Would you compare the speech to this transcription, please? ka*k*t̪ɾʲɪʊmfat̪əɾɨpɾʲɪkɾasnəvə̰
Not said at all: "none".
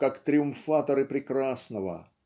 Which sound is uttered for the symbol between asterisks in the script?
k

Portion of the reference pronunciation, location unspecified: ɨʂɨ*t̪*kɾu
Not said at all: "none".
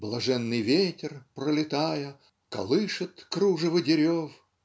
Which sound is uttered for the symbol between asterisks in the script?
t̪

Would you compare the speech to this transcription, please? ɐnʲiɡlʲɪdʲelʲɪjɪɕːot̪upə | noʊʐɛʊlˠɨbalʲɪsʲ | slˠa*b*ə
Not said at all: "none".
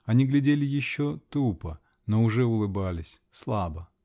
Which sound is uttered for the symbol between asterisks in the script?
b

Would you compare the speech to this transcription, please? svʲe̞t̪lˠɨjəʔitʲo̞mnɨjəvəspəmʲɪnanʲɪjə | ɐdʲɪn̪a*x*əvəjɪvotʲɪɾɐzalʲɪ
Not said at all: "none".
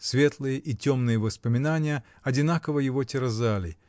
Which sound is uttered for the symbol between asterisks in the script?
k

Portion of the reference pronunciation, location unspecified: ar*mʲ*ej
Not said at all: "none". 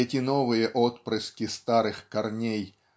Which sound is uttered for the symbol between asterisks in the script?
nʲ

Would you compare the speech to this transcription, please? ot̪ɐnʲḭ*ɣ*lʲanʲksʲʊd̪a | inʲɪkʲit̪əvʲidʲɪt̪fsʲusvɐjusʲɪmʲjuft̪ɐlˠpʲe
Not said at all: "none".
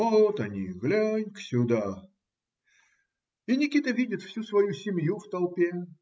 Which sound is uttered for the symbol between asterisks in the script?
ɣ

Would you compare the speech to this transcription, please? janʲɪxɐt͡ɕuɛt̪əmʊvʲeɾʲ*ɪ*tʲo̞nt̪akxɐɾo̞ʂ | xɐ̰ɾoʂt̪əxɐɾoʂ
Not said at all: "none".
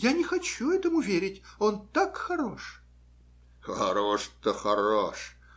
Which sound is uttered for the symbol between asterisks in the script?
ɪ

